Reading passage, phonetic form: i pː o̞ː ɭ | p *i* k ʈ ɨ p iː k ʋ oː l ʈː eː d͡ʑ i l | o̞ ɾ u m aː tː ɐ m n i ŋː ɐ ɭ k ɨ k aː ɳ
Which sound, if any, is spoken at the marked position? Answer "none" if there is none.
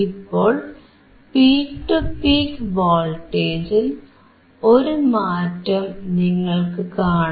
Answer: iː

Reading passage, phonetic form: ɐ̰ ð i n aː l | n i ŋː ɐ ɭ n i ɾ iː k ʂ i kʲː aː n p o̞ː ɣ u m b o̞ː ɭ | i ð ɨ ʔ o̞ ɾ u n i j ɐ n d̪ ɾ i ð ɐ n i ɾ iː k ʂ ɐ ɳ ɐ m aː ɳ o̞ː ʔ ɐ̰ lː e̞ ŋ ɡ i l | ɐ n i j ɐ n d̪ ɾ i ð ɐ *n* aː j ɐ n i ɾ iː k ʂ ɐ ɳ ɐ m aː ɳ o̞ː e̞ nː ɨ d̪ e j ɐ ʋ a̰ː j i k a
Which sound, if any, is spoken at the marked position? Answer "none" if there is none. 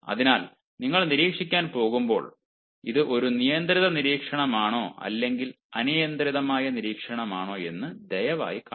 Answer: m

